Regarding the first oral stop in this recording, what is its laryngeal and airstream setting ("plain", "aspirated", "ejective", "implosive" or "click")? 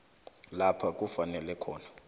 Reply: aspirated